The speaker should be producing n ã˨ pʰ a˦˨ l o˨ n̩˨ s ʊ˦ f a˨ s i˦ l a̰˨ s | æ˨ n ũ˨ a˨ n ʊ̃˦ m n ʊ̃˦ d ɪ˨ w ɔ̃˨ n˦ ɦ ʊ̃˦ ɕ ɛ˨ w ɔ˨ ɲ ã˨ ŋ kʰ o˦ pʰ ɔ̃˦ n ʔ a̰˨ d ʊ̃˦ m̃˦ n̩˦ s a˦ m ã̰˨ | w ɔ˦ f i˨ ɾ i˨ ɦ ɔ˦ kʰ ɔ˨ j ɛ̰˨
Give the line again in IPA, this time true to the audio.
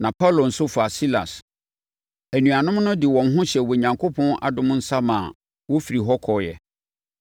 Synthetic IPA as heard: n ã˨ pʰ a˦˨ l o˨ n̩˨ s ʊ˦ f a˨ s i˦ l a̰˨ s | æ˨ n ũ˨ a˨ n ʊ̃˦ m n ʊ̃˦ d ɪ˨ w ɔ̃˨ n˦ ɦ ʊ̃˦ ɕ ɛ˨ w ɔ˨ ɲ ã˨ ŋ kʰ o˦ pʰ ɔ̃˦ n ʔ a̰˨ d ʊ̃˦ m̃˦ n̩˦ s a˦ m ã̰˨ | w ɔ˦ f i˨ ɾ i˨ ɦ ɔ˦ kʰ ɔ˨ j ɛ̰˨